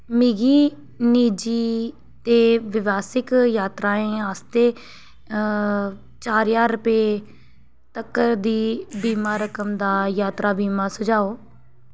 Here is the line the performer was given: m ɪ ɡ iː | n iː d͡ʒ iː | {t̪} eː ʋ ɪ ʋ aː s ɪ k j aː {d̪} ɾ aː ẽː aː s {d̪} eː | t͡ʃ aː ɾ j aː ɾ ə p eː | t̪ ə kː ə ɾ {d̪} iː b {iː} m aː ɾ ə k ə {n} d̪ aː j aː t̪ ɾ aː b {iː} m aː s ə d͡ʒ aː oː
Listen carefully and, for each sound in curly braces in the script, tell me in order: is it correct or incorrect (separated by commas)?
correct, incorrect, incorrect, correct, correct, incorrect, correct